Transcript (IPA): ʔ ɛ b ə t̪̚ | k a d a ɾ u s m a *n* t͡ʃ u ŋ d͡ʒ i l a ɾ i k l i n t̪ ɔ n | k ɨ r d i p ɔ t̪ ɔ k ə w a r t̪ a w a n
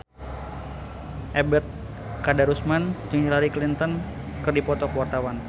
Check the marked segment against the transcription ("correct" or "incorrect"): correct